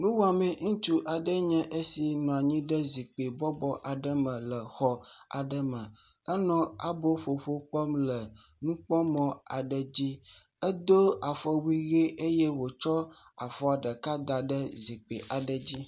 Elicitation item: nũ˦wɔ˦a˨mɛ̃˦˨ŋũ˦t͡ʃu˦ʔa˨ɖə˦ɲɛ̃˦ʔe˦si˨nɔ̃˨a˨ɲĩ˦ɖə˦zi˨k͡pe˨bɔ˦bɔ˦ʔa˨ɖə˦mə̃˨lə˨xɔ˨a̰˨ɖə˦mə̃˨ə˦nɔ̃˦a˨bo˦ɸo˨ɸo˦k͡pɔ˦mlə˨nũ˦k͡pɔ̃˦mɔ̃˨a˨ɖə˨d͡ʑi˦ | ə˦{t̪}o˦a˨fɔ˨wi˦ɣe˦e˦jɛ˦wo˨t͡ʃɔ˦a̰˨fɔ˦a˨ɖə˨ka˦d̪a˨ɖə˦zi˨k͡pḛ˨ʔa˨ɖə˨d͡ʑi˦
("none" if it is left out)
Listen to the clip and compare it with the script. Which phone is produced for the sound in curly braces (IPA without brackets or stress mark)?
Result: d̪